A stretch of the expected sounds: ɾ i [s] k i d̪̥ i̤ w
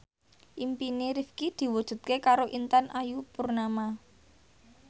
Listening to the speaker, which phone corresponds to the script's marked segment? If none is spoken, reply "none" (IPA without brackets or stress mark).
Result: f